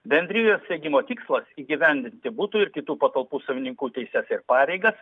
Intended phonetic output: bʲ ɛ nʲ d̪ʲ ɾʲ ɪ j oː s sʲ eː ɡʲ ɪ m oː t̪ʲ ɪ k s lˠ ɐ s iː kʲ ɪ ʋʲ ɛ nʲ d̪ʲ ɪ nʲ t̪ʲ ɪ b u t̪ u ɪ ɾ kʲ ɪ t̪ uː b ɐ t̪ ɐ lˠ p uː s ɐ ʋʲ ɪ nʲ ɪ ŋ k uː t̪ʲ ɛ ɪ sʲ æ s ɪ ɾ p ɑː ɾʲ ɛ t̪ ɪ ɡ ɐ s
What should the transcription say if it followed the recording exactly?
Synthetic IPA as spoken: bʲ ɛ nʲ d̪ʲ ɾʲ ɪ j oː s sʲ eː ɡʲ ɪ m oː t̪ʲ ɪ k s lˠ ɐ s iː ɡʲ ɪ ʋʲ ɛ nʲ d̪ʲ ɪ nʲ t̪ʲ ɪ b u t̪ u ɪ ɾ kʲ ɪ t̪ uː p ɐ t̪ ɐ lˠ p uː s ɐ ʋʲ ɪ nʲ ɪ ŋ k uː t̪ʲ ɛ ɪ sʲ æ s ɪ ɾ p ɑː ɾʲ ɛ ɪ ɡ ɐ s